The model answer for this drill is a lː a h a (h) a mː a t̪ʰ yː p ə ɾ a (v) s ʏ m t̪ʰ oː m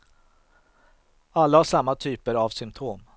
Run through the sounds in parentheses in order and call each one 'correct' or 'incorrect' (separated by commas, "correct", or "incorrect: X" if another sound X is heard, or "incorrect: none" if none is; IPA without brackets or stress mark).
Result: incorrect: ʂ, correct